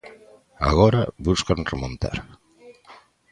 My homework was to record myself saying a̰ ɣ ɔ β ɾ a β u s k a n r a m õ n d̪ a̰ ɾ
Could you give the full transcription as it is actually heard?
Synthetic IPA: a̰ ɣ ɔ ɾ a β u s k a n r e m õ n t̪ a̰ ɾ